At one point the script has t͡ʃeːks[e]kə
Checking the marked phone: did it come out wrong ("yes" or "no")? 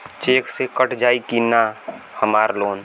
no